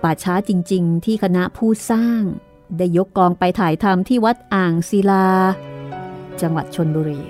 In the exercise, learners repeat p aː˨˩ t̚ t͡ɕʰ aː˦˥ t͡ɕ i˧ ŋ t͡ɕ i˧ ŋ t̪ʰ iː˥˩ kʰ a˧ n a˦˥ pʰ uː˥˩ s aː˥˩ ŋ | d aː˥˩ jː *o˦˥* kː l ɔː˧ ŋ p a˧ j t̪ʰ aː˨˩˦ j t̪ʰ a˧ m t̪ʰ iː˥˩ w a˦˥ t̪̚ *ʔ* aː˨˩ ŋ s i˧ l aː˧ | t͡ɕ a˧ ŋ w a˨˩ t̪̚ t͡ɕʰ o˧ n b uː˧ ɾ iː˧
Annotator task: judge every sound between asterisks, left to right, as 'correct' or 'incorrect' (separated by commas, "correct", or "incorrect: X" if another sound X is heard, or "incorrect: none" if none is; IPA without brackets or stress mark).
correct, correct